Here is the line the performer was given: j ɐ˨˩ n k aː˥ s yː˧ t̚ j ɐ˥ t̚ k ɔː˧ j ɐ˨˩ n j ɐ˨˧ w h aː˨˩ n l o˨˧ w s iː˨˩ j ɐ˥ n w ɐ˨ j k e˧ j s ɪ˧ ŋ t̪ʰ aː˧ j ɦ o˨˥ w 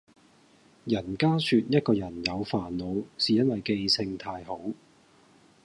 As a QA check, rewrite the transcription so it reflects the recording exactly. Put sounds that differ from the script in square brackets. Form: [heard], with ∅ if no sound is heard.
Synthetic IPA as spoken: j ɐ˨˩ n k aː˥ s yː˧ t̚ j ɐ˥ t̚ k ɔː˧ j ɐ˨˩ n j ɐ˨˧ w [f] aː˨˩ n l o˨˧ w s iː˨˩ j ɐ˥ n w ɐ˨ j k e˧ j s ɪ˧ ŋ t̪ʰ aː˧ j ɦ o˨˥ w